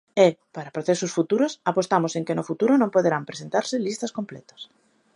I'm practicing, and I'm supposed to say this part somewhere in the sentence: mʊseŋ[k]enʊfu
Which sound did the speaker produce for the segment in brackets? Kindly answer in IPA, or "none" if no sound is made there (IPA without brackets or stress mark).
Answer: k